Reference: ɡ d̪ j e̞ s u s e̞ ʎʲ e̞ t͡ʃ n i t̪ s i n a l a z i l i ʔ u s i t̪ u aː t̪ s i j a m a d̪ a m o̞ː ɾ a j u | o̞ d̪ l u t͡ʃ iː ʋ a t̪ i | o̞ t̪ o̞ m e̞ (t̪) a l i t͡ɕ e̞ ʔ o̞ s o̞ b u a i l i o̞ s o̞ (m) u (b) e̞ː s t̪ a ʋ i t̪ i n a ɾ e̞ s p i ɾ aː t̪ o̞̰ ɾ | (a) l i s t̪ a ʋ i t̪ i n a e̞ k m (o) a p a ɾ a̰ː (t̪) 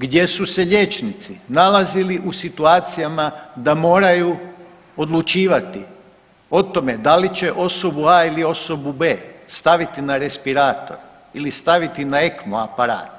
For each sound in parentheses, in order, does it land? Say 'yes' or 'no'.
no, no, yes, no, yes, yes

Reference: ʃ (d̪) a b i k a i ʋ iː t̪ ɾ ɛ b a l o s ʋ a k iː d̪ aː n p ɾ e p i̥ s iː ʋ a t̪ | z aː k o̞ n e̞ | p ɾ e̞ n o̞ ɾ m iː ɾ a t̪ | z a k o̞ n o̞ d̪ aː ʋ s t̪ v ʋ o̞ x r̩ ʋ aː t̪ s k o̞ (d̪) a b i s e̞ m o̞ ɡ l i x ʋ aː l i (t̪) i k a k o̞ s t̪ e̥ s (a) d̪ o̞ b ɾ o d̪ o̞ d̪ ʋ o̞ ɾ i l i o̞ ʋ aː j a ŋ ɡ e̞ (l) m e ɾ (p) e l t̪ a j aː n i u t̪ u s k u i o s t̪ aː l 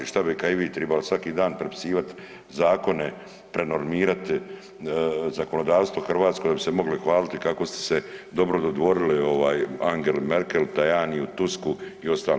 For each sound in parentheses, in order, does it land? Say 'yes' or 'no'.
no, yes, yes, no, yes, no

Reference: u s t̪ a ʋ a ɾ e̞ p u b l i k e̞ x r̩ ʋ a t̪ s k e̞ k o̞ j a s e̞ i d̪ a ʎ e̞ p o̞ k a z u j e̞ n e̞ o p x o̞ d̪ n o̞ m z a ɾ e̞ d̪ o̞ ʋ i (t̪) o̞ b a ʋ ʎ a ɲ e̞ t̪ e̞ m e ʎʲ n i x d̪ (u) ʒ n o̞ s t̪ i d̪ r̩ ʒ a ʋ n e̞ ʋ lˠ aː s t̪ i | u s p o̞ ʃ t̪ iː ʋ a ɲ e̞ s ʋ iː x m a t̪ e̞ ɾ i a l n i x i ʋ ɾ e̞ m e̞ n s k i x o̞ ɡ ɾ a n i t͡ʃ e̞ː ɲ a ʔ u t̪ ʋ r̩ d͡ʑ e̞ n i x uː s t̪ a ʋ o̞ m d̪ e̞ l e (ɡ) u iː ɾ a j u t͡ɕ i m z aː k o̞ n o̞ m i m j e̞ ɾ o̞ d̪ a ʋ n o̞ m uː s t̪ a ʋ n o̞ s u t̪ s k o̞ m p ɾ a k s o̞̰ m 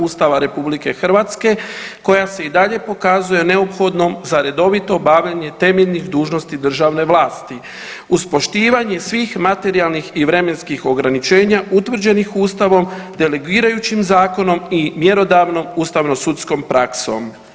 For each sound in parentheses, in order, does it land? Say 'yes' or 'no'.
yes, no, yes

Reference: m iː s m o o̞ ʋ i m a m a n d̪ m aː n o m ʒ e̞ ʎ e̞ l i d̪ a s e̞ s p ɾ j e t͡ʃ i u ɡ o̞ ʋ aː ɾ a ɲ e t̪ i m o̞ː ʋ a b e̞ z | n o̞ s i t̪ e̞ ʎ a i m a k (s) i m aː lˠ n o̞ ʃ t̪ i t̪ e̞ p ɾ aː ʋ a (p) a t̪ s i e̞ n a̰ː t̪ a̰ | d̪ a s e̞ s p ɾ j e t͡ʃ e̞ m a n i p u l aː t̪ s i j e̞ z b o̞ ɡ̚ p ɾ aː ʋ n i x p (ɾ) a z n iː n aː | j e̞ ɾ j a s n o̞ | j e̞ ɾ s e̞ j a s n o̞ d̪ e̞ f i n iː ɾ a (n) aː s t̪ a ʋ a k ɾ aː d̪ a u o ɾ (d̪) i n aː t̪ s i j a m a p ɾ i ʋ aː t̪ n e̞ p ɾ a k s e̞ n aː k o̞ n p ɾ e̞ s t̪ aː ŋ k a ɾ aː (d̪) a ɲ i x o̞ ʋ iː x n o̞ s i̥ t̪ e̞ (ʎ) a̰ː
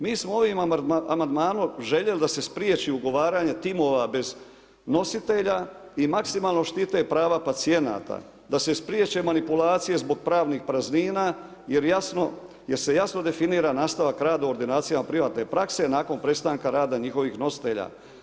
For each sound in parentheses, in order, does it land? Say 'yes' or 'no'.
yes, yes, yes, yes, yes, yes, yes

